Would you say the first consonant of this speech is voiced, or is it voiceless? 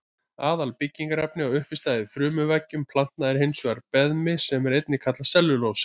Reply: voiced